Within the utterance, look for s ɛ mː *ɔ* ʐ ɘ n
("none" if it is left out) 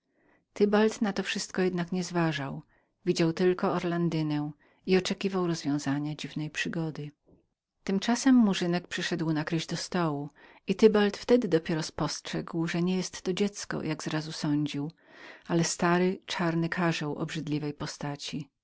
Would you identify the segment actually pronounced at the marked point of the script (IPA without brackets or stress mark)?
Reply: u